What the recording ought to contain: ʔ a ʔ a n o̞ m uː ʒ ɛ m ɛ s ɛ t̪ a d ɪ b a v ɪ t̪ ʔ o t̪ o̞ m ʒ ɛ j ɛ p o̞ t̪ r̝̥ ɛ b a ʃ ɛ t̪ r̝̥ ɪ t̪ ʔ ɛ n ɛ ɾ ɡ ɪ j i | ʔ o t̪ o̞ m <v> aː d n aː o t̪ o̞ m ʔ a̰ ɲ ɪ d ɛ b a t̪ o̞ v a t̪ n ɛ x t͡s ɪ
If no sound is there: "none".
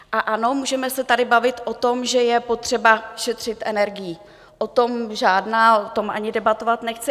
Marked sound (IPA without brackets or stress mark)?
ʒ